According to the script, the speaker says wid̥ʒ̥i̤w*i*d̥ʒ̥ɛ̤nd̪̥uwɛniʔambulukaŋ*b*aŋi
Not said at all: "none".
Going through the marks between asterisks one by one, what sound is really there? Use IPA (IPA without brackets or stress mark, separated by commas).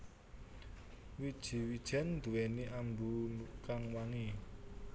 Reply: i, w